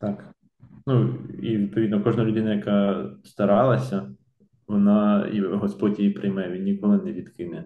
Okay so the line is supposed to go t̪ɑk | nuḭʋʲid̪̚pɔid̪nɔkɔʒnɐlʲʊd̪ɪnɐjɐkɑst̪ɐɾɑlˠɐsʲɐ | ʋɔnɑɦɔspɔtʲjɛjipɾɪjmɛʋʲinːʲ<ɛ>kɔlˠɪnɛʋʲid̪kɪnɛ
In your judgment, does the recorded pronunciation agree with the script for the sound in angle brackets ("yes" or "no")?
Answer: no